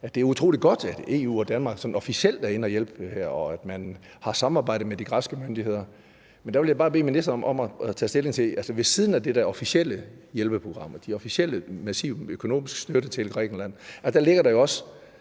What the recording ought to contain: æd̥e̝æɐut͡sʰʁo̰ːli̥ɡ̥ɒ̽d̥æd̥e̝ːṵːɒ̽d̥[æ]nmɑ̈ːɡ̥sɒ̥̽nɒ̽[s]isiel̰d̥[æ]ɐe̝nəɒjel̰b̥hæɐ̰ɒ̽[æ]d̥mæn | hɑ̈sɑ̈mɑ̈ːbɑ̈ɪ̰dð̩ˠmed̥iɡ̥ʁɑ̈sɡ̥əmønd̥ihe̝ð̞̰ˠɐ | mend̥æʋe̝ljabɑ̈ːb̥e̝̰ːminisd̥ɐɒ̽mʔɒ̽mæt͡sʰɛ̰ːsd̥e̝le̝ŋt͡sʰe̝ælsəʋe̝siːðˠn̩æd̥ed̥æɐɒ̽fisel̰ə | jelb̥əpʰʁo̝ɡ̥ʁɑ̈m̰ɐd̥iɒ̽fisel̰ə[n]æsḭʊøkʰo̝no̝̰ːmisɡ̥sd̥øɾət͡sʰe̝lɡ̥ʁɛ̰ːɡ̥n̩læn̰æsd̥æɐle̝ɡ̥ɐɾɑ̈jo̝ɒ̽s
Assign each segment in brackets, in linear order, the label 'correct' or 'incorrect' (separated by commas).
correct, incorrect, correct, correct, incorrect